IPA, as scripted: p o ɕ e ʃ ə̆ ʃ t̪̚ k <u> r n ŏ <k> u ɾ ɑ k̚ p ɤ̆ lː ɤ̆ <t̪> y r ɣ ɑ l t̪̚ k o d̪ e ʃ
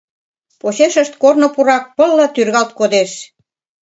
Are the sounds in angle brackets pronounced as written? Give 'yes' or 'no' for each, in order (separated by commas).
no, no, yes